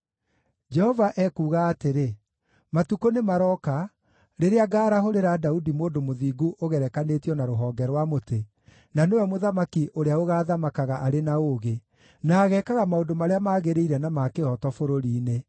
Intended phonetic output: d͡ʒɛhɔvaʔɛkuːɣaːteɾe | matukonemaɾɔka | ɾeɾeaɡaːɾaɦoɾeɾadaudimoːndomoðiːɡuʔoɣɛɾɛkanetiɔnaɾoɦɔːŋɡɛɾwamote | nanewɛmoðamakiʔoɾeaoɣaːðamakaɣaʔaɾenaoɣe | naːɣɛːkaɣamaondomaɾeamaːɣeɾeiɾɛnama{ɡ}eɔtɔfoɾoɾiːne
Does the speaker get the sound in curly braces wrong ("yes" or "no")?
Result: yes